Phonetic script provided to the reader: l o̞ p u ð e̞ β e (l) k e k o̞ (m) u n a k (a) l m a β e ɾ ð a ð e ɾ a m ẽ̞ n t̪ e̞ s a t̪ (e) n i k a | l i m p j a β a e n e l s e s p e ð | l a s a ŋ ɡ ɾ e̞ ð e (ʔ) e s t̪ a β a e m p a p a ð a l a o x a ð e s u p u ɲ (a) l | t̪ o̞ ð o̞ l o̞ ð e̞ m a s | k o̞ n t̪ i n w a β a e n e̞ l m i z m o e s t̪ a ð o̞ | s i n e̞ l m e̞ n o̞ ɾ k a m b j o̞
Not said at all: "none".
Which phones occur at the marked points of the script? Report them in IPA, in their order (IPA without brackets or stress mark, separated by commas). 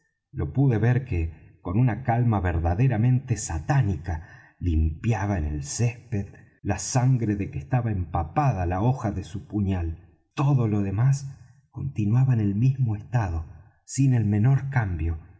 ɾ, n, a, a, k, a